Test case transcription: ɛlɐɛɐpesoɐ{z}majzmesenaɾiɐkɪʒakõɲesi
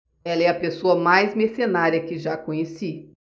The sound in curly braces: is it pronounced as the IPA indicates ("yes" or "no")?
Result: no